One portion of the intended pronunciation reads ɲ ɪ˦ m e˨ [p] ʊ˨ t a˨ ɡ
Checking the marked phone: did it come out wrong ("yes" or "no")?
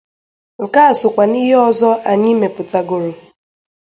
no